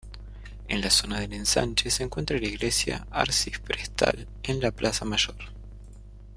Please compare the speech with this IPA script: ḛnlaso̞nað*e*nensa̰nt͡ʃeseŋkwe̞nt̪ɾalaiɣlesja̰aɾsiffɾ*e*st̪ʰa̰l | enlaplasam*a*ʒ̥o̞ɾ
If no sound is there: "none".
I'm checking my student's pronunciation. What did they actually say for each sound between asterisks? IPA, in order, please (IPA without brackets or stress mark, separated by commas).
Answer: e, e, a